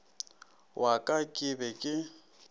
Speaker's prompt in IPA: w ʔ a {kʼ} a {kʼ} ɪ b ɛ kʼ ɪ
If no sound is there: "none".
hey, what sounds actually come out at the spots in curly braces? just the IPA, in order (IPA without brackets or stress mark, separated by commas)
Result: kʼ, kʼ